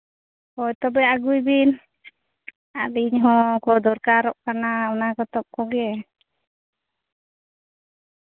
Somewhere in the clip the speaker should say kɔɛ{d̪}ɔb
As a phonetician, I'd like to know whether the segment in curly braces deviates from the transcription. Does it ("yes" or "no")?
yes